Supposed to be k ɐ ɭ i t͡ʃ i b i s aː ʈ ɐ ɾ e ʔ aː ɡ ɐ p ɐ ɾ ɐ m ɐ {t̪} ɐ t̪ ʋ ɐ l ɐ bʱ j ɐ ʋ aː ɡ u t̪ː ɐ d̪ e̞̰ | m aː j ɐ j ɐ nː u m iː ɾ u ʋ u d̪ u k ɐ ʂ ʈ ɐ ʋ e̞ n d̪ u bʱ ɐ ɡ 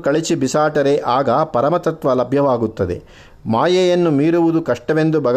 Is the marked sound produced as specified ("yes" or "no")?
yes